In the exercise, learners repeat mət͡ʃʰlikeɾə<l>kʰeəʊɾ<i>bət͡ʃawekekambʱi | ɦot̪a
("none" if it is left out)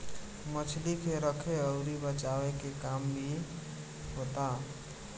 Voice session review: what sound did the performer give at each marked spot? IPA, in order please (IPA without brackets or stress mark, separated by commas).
none, i